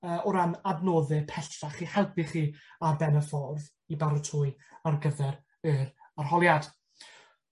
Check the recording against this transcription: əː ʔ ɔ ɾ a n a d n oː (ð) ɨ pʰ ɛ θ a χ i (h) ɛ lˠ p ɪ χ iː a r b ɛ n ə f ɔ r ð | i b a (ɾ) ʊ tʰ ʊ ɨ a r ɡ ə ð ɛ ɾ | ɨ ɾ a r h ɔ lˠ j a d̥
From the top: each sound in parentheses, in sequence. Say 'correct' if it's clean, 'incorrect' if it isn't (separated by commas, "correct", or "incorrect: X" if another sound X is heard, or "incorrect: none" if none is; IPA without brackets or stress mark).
correct, correct, correct